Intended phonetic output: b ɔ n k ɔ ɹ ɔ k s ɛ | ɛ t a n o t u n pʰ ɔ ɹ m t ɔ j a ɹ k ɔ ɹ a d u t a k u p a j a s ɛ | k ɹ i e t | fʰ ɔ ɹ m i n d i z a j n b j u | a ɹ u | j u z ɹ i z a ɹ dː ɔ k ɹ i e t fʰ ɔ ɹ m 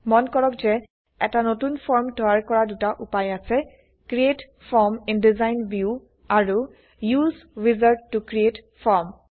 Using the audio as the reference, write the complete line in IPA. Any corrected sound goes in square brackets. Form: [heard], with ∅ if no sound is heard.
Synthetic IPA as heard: [m] ɔ n k ɔ ɹ ɔ k [z] ɛ | ɛ t a n o t u n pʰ ɔ ɹ m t ɔ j a ɹ k ɔ ɹ a d u t a [ʔ] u p a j a s ɛ | k ɹ i e t | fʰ ɔ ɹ m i n d i z a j n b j u | a ɹ u | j u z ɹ i z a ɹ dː [u] k ɹ i e t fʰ ɔ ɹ m